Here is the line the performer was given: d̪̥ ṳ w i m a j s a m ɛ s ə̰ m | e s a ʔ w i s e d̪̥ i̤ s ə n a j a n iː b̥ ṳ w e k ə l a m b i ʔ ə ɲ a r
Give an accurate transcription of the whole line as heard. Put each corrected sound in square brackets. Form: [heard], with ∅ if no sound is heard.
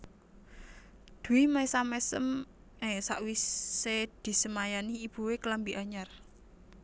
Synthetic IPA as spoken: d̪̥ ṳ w i m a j s a m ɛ s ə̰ m | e s a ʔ w i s e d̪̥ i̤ s ə [m] a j a n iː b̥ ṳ w e k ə l a m b i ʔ [a] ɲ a r